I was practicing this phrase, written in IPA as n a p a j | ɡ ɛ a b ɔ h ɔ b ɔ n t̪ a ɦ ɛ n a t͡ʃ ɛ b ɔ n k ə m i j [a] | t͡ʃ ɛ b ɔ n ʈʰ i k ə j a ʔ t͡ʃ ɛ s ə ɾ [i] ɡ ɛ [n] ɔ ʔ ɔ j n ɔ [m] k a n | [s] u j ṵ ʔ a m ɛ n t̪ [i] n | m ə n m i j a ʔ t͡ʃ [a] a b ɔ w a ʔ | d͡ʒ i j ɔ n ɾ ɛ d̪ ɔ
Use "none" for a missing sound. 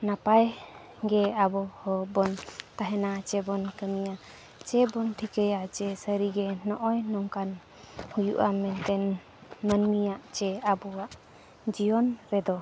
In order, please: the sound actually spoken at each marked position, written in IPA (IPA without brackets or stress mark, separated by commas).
a, i, n, ŋ, h, ɛ, ɛ